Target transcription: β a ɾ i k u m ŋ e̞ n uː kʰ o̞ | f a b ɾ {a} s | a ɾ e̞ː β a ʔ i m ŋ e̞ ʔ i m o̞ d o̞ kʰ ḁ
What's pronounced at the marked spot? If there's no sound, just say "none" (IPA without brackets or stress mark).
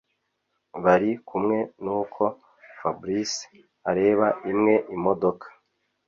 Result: i